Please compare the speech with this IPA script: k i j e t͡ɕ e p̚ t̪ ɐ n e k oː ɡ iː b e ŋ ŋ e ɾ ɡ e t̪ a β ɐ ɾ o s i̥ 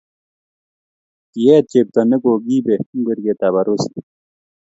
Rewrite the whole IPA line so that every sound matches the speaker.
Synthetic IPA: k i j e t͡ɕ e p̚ t̪ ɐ n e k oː ɡ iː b e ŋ ɡ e ɾ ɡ e t̪ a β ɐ ɾ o s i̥